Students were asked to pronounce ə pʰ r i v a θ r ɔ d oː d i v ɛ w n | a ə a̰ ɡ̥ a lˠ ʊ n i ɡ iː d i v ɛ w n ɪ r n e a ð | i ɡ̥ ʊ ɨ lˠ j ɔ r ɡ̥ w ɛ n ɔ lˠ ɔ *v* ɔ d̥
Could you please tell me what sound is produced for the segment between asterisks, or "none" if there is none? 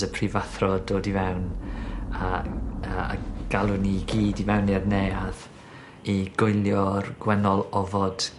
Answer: v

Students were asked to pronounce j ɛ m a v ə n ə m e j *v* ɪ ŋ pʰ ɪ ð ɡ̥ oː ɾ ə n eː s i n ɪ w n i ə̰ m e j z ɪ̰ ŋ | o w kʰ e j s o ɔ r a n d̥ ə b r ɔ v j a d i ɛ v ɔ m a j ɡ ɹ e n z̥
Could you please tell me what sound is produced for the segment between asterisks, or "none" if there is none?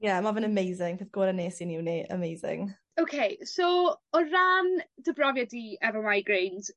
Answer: z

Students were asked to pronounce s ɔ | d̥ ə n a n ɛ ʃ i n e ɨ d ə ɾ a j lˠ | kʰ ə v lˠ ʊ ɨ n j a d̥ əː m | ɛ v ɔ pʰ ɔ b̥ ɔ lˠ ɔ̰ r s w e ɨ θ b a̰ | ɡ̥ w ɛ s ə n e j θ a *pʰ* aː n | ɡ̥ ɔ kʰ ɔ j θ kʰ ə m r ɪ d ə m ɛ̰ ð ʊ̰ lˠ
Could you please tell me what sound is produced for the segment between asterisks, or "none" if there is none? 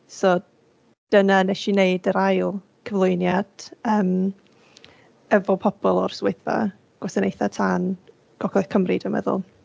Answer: tʰ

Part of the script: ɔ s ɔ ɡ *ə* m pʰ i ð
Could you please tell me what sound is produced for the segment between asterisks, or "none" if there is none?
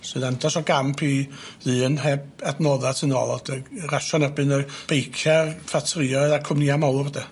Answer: a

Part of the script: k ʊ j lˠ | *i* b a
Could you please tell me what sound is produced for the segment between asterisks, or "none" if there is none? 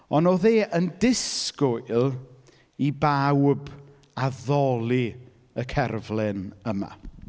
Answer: i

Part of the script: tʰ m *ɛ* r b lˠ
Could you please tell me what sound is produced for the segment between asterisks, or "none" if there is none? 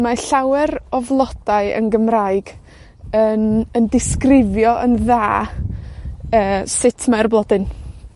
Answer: a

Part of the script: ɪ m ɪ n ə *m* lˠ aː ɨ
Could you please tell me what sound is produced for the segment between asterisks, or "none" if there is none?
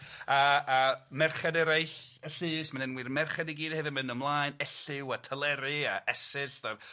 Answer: m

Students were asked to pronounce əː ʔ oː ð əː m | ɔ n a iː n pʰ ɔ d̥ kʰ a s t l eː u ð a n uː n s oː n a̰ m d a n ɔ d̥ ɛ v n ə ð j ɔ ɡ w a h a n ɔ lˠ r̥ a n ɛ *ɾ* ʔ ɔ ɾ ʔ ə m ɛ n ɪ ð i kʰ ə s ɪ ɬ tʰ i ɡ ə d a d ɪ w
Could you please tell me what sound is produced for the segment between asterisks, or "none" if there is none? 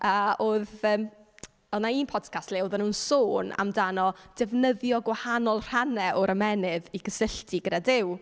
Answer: none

